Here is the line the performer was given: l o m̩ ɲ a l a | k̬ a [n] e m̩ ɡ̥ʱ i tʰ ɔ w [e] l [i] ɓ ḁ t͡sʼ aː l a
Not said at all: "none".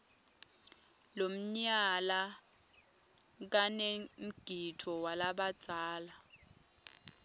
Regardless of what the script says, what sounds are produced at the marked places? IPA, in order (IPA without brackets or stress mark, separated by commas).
n, a, a